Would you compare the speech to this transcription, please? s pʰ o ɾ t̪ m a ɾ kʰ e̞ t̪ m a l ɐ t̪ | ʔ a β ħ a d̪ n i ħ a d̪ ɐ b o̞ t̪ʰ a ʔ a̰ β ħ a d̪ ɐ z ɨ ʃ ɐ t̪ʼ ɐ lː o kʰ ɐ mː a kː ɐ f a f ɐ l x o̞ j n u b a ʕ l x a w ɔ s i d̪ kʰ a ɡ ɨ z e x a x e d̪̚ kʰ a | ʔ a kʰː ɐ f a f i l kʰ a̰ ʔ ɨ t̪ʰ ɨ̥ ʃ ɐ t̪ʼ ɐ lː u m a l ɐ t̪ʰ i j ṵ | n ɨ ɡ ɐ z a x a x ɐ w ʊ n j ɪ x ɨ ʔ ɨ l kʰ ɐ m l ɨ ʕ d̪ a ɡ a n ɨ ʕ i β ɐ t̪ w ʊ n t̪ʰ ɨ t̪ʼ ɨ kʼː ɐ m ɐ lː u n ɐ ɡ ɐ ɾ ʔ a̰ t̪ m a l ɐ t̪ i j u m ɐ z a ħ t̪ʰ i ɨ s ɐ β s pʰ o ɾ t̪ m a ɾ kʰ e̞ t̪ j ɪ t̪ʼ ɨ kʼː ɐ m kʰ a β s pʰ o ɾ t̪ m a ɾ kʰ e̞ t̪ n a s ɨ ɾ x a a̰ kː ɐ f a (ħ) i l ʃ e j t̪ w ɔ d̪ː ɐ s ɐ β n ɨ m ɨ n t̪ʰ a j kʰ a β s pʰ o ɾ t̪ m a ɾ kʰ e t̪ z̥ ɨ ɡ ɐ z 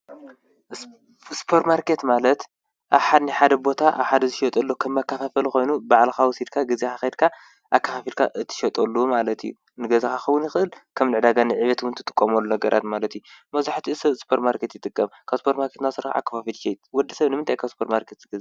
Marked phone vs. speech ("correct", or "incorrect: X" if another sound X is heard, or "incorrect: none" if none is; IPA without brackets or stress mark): incorrect: f